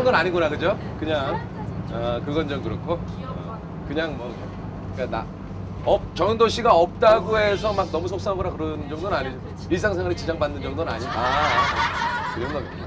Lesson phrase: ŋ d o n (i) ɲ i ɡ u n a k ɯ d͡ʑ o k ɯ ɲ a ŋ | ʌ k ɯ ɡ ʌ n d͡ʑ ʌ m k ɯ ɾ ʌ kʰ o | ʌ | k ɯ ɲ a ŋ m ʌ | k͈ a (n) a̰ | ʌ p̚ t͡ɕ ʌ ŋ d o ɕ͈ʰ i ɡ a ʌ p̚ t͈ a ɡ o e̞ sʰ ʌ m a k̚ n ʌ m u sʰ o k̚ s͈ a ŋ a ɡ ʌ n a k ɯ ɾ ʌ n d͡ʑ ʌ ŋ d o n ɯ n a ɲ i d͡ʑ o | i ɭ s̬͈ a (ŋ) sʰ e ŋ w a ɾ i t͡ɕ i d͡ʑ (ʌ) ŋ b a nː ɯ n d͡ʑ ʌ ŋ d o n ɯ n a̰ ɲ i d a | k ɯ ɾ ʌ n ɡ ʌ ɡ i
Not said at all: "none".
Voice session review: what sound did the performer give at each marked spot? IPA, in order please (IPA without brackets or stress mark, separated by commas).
a, n, ŋ, a